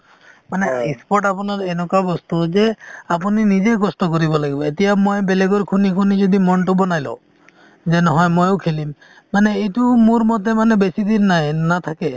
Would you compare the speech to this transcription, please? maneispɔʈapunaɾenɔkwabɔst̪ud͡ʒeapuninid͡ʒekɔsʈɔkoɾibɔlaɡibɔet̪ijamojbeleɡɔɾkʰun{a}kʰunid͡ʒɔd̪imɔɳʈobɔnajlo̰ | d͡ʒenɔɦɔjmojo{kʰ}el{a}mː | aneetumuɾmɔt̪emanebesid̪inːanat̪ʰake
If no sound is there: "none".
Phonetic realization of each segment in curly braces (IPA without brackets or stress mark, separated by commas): i, kʰ, i